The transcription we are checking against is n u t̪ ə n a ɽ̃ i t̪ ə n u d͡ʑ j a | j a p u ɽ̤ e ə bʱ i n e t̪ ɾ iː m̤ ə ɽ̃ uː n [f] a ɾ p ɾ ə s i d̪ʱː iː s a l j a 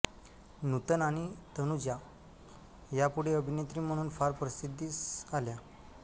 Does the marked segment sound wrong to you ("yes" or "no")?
no